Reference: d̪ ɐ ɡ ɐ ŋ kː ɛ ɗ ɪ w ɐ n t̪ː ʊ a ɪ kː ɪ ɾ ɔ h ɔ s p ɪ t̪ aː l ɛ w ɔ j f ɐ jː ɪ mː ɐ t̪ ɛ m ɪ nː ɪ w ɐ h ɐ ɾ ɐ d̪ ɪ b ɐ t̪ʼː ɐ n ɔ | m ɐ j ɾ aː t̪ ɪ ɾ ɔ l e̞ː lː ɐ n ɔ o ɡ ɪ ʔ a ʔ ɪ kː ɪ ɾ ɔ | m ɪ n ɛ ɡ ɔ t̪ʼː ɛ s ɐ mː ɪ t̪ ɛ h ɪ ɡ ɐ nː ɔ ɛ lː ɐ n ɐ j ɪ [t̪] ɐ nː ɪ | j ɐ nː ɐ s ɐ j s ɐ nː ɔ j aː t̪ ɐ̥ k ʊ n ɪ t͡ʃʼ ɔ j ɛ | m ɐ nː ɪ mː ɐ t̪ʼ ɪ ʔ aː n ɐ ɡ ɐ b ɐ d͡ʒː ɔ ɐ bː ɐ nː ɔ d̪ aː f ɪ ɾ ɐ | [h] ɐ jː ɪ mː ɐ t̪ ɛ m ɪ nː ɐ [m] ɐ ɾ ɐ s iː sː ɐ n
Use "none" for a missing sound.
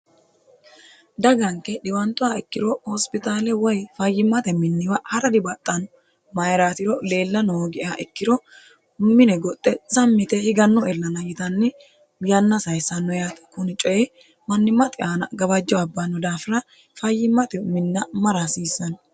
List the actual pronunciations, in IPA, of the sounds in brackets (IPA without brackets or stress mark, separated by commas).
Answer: t̪, f, m